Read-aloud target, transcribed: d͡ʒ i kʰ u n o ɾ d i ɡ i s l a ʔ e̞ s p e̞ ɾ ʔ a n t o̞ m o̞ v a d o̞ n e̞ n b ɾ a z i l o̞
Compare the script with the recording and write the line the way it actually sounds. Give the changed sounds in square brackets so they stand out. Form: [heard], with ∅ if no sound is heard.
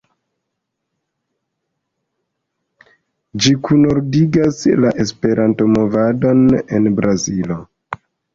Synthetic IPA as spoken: d͡ʒ i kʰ u n o ɾ d i ɡ [a] s l a ʔ e̞ s p e̞ ɾ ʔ a n t o̞ m o̞ v a d o̞ n e̞ n b ɾ a z i l o̞